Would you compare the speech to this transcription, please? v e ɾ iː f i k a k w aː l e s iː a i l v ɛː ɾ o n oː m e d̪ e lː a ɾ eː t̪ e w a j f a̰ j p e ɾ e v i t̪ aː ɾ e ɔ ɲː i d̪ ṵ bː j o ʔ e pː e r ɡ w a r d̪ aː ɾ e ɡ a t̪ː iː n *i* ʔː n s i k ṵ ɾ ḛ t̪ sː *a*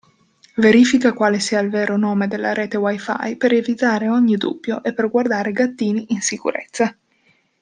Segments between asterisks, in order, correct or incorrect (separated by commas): correct, correct